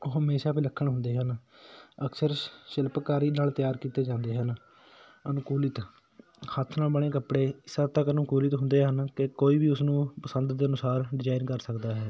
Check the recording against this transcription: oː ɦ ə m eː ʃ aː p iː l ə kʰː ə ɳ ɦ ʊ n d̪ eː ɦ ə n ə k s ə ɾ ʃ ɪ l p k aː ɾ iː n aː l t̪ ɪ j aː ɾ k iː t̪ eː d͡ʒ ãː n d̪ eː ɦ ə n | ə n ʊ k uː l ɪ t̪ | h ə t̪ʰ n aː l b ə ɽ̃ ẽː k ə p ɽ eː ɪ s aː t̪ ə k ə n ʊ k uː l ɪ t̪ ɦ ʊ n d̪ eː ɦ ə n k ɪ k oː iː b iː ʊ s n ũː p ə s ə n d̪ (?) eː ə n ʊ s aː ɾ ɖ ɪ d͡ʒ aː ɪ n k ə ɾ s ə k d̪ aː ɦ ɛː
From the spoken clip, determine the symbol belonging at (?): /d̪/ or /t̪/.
d̪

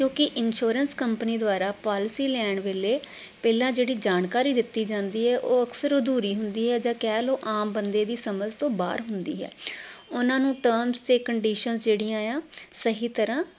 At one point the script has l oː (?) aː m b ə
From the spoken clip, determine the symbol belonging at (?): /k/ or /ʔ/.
ʔ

